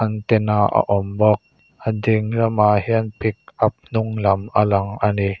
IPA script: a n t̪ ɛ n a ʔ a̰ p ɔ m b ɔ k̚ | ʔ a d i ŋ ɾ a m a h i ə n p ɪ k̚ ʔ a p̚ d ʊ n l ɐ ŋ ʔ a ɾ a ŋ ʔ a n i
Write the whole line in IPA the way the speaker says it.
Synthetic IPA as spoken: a n t̪ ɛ n a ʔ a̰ ʔ ɔ m b ɔ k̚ | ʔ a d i ŋ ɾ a m a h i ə n p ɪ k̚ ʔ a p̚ n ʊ ŋ l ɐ m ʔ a l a ŋ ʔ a n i